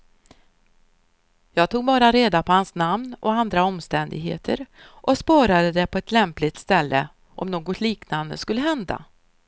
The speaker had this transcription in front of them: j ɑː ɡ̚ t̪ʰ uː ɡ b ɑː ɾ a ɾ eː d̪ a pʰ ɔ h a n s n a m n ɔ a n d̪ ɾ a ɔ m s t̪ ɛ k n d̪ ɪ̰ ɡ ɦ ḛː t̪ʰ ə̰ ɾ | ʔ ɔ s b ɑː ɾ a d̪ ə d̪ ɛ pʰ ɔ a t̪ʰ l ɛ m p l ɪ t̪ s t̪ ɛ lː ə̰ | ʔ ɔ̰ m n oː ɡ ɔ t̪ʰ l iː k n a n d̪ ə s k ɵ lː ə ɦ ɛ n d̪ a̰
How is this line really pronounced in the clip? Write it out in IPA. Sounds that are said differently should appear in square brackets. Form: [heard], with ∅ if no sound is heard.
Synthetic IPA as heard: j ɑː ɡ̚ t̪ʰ uː ɡ b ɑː ɾ a ɾ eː d̪ a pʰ ɔ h a n s n a m n ɔ a n d̪ ɾ a ɔ m s t̪ ɛ [∅] n d̪ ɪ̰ ɡ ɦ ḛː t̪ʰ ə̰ ɾ | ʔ ɔ s [p] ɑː ɾ a d̪ ə d̪ ɛ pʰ ɔ [ɛ] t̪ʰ l ɛ m p l ɪ t̪ s t̪ ɛ lː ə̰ | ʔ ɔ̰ m n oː ɡ ɔ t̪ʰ l iː k n a n d̪ ə s k ɵ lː ə ɦ ɛ n d̪ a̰